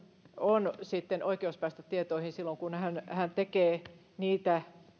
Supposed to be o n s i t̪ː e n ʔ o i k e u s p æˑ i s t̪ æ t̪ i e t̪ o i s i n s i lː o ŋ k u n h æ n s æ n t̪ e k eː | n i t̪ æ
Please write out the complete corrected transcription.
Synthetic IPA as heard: o n s i t̪ː e n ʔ o i k e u s p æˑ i s t̪ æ t̪ i e t̪ o i h i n s i lː o ŋ k u n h æ n h æ n t̪ e k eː | n iː t̪ æ